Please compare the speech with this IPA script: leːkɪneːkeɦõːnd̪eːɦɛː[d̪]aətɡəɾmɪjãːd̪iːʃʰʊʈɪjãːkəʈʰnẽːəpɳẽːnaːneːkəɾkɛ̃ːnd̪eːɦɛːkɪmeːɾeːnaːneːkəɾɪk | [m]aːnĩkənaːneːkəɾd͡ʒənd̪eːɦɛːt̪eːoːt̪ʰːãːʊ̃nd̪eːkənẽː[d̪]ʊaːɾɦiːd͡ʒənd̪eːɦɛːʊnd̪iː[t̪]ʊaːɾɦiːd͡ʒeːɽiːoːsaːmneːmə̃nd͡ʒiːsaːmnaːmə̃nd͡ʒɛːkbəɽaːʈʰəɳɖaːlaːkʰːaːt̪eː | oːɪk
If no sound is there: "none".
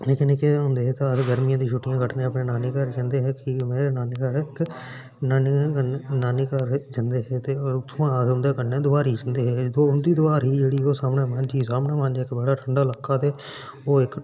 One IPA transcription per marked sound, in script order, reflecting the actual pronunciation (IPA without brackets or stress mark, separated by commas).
t̪, n, d̪, d̪